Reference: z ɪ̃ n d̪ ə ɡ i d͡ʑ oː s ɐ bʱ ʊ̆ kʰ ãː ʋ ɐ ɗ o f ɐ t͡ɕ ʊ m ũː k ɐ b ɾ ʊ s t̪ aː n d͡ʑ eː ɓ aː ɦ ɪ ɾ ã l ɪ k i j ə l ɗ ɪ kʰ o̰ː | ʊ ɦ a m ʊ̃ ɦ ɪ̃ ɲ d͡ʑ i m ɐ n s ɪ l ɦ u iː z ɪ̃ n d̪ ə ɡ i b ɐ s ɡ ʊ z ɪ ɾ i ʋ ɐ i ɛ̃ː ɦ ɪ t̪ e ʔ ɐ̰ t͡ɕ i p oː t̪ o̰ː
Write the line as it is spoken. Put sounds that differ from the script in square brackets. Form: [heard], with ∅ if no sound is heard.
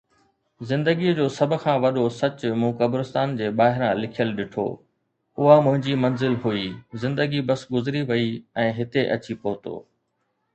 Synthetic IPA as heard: z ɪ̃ n d̪ ə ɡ i d͡ʑ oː s ɐ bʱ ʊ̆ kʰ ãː ʋ ɐ ɗ o [s] ɐ t͡ɕ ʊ m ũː k ɐ b ɾ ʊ s t̪ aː n d͡ʑ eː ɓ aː ɦ ɪ ɾ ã l ɪ [kʰ] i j ə l ɗ ɪ [ʈʰ] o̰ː | ʊ ɦ a m ʊ̃ ɦ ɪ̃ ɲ d͡ʑ i m ɐ n [z] ɪ l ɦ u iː z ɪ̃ n d̪ ə ɡ i b ɐ s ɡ ʊ z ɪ ɾ i ʋ ɐ i ɛ̃ː ɦ ɪ t̪ e ʔ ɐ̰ t͡ɕ i p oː t̪ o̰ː